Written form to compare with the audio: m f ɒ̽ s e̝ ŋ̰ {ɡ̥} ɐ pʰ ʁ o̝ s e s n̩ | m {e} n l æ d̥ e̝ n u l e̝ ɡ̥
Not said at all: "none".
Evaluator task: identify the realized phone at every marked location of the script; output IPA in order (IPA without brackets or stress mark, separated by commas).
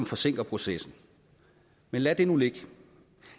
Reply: ɡ̥, e